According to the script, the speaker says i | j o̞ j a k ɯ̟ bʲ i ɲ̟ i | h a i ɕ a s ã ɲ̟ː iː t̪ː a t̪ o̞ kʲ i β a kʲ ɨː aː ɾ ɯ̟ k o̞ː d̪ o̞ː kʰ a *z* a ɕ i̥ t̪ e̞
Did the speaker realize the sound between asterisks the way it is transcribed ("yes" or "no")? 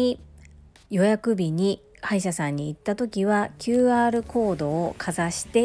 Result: yes